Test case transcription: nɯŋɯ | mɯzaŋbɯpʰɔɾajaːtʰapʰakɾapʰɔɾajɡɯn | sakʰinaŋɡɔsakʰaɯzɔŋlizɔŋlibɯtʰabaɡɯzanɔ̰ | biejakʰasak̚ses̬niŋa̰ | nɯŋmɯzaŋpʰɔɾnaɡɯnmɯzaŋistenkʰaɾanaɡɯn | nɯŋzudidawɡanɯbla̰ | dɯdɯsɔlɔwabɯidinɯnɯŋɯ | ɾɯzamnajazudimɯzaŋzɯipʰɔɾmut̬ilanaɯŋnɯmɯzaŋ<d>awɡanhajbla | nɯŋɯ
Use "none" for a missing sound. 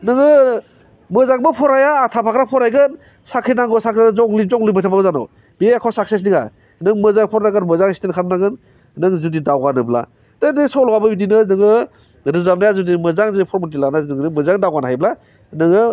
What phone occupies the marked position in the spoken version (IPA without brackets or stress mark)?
d